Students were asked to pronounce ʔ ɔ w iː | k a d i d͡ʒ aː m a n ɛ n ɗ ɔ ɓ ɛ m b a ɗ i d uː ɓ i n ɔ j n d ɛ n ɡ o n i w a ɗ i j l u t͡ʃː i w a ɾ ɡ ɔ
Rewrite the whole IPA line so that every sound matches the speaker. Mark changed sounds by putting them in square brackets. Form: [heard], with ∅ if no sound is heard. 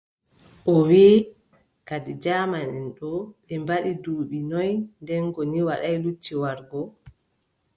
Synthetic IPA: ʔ ɔ w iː | k a d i d͡ʒ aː m a n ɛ n ɗ ɔ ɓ ɛ m b a ɗ i d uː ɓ i n ɔ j n d ɛ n ɡ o n i w a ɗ [a] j l u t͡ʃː i w a ɾ ɡ ɔ